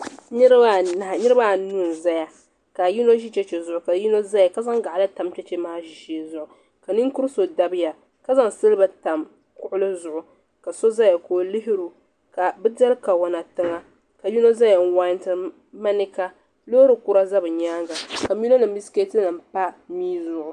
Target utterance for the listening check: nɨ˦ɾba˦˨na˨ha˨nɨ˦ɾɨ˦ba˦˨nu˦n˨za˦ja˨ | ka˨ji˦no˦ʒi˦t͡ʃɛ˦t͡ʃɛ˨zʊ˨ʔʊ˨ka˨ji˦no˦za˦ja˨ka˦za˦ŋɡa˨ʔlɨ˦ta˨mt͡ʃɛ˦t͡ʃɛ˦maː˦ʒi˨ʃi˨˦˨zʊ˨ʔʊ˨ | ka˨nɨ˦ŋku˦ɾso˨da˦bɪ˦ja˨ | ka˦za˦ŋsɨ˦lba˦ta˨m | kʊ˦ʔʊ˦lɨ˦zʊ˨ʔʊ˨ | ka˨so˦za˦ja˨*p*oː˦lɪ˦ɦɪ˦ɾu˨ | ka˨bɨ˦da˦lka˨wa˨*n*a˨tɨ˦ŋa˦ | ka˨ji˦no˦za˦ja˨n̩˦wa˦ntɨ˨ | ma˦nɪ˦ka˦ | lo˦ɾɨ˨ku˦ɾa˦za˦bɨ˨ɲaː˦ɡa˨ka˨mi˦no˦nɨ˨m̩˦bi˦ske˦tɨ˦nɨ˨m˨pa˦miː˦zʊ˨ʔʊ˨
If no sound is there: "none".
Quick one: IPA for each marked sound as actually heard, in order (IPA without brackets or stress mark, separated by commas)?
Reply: k, n